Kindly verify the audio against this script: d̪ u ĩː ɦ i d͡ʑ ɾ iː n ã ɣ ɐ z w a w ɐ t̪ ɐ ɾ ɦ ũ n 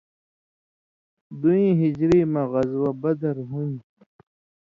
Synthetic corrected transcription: d̪ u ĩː ɦ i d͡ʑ ɾ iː m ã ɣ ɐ z w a b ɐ d̪ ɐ ɾ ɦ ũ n